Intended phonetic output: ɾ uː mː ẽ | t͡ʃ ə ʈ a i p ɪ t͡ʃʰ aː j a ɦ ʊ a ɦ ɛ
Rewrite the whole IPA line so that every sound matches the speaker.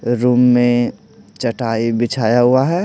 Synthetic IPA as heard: ɾ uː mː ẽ | t͡ʃ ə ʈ a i b ɪ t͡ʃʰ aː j a ɦ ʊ a ɦ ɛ

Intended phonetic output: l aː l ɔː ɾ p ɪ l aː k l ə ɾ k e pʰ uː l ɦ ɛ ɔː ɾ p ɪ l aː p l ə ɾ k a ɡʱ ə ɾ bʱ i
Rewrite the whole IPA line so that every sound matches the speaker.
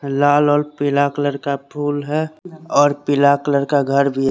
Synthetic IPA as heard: l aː l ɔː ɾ p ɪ l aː k l ə ɾ k a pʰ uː l ɦ ɛ ɔː ɾ p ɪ l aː k l ə ɾ k a ɡʱ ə ɾ bʱ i

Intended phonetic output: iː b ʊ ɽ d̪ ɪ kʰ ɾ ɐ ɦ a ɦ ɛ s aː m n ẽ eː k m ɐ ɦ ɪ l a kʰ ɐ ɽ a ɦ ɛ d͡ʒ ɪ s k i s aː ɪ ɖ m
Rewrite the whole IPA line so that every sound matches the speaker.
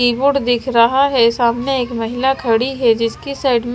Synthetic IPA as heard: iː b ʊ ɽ d̪ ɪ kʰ ɾ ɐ ɦ a ɦ ɛ s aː m n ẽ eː k m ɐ ɦ ɪ l a kʰ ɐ ɽ i ɦ ɛ d͡ʒ ɪ s k i s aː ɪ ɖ m

